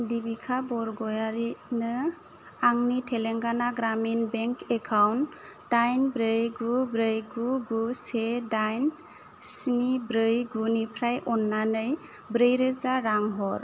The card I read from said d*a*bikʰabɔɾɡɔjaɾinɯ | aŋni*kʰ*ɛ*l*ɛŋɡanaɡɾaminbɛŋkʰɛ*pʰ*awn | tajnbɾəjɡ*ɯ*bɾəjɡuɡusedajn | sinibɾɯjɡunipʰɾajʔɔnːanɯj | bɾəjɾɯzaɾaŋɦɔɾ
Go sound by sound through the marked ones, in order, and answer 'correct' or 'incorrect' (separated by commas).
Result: incorrect, incorrect, correct, incorrect, incorrect